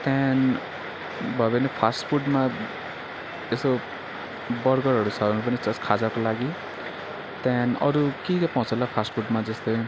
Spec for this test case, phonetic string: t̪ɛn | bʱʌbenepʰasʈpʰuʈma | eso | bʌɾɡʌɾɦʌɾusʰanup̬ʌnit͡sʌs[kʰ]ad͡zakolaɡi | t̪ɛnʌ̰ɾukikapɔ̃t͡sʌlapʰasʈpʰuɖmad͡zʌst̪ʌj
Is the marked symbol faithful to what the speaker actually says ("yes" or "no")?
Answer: yes